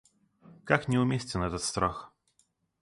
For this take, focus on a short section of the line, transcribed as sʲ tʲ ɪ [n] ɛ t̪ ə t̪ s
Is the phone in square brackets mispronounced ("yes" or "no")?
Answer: no